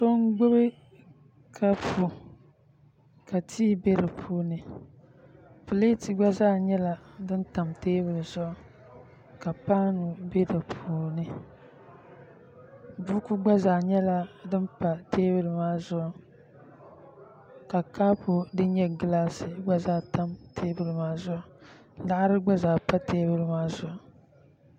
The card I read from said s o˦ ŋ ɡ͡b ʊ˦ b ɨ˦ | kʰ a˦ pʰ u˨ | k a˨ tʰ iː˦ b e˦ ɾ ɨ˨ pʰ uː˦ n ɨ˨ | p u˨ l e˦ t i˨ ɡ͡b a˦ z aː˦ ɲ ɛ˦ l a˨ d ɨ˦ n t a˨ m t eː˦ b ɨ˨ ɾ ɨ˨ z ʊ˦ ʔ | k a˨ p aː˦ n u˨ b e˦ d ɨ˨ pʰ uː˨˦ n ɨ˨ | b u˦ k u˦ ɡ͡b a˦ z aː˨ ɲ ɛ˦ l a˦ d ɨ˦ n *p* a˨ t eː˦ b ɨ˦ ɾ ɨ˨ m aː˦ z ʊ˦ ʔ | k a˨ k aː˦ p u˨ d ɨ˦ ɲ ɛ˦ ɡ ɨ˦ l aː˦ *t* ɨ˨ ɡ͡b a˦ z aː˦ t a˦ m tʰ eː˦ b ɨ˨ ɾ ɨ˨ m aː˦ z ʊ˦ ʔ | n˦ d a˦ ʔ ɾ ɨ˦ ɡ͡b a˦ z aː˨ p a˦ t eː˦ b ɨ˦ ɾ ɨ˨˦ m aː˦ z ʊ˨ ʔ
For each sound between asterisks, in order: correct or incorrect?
correct, incorrect

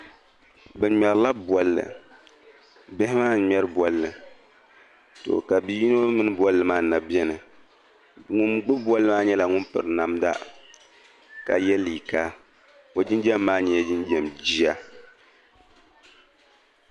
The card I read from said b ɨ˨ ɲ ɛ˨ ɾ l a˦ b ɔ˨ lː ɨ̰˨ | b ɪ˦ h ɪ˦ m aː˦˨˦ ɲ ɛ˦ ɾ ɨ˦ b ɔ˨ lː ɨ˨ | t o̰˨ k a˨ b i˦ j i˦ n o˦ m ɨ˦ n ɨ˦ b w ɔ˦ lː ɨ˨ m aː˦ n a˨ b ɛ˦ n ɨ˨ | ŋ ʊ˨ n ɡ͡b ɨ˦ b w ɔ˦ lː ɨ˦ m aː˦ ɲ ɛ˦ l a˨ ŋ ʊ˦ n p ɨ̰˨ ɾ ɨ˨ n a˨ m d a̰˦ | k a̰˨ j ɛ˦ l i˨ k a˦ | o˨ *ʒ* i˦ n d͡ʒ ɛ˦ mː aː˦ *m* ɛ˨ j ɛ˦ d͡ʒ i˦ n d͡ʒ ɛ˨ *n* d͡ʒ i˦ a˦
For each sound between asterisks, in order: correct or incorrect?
incorrect, incorrect, incorrect

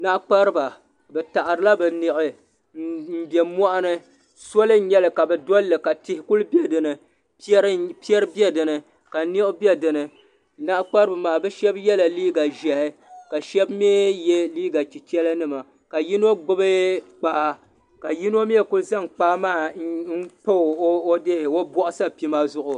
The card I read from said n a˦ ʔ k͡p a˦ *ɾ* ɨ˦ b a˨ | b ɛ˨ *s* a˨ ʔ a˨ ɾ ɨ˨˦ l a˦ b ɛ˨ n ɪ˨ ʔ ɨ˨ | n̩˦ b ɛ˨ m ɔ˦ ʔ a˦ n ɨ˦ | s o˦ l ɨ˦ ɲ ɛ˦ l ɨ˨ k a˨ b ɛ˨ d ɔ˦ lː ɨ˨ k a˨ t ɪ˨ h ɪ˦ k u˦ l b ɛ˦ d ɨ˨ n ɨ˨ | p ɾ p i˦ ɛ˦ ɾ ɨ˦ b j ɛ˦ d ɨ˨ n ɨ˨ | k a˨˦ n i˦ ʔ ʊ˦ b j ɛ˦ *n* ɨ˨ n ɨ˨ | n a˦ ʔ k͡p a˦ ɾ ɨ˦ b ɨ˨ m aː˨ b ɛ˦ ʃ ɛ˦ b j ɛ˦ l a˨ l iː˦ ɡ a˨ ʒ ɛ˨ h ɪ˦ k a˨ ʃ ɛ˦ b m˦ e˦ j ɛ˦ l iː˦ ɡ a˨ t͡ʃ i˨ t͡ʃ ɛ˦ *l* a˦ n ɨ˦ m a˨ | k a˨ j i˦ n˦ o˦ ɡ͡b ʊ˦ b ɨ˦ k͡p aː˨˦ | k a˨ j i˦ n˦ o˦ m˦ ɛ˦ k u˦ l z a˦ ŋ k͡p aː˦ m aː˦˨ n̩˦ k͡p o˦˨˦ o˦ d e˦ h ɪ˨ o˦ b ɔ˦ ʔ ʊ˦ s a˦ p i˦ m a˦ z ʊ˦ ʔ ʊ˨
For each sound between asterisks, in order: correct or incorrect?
correct, incorrect, incorrect, correct

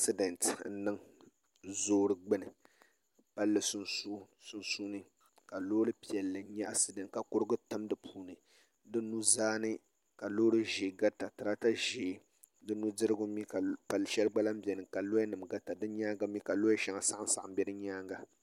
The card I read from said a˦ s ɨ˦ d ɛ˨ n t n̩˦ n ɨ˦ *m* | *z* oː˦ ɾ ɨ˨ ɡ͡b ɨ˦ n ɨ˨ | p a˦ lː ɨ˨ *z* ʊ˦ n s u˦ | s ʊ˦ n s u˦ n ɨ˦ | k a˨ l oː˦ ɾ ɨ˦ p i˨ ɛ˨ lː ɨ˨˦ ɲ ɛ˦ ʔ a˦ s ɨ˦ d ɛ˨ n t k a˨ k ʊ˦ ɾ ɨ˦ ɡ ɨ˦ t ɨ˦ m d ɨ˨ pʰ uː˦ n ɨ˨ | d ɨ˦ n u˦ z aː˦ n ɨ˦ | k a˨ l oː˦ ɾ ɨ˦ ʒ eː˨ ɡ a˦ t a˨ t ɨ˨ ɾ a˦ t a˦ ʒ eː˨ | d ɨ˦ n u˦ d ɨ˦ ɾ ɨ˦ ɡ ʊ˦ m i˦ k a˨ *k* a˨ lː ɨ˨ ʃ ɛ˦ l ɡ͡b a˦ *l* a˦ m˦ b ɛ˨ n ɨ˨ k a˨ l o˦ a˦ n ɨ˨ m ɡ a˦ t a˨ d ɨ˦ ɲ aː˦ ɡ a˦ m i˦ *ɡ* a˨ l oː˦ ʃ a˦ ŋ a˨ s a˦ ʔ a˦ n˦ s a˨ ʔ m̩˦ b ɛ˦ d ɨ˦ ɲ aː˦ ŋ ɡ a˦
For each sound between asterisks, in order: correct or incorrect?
incorrect, correct, incorrect, incorrect, correct, incorrect

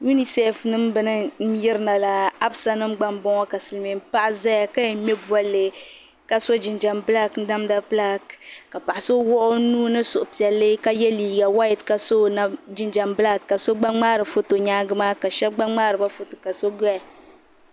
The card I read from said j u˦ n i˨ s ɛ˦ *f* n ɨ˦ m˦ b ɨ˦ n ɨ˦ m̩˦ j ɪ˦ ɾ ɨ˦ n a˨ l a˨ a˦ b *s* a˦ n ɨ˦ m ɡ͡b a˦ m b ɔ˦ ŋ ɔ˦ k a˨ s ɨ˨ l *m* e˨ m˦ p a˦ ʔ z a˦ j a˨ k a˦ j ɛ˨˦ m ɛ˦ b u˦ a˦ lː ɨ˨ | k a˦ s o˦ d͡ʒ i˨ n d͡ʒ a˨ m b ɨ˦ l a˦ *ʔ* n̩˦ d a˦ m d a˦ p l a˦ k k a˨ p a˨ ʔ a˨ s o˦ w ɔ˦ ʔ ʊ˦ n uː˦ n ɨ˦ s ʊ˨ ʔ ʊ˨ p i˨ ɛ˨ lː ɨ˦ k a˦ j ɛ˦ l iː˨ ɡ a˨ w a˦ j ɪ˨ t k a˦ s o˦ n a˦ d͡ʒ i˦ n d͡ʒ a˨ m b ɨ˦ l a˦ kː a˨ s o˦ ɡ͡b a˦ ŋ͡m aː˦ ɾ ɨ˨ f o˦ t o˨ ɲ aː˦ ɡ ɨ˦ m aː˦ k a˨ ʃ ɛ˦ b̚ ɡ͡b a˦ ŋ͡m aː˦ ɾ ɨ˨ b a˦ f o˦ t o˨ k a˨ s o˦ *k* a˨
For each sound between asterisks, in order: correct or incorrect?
correct, correct, correct, incorrect, incorrect

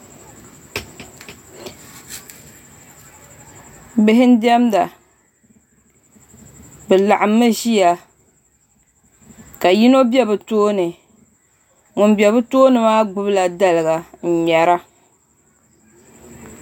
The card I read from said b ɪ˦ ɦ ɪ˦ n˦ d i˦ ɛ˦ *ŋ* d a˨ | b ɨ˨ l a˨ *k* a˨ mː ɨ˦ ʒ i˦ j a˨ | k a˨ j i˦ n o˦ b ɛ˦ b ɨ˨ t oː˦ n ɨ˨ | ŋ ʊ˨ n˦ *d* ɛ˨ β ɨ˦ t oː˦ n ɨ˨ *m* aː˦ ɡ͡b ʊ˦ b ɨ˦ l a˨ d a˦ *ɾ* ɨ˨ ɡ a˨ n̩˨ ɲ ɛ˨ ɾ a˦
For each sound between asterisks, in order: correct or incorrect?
incorrect, incorrect, incorrect, correct, incorrect

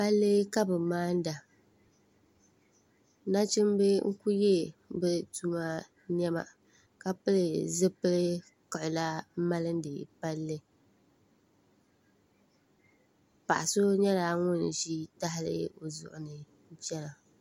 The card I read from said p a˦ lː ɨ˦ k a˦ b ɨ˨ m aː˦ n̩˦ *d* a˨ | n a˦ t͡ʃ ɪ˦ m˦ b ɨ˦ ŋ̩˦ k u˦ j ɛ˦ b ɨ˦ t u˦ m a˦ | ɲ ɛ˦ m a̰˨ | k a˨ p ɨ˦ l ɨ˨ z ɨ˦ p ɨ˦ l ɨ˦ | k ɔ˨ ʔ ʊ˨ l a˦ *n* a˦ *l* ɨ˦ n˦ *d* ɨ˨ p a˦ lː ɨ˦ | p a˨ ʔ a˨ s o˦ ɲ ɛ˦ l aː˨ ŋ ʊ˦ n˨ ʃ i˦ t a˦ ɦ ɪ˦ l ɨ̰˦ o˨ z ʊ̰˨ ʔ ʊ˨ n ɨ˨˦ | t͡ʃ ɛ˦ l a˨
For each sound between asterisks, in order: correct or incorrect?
correct, incorrect, correct, correct

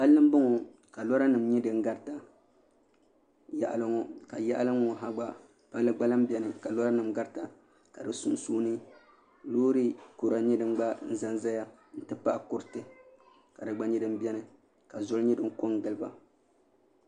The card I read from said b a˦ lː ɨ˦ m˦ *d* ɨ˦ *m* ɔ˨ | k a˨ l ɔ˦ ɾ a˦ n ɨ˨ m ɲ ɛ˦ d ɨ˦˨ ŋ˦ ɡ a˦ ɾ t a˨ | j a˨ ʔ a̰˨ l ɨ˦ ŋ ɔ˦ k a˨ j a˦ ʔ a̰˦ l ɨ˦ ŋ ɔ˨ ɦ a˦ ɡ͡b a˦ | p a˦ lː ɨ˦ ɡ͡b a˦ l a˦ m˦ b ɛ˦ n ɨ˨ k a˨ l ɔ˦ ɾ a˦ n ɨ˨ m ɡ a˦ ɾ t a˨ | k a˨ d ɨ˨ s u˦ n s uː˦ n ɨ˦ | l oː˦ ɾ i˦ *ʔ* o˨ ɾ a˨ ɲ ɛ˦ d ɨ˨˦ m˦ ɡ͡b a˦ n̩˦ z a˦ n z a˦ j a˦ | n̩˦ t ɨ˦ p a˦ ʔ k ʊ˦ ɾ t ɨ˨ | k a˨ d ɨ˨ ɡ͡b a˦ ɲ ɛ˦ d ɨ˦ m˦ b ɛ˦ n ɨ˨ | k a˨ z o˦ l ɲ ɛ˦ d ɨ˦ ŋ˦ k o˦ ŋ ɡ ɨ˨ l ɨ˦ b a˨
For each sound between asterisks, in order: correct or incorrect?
incorrect, incorrect, incorrect

